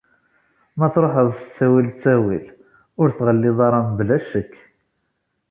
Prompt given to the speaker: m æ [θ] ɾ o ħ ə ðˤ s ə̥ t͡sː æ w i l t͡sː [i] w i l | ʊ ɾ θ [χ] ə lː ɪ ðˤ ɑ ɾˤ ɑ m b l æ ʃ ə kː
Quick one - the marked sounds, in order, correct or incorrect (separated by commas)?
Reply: correct, incorrect, incorrect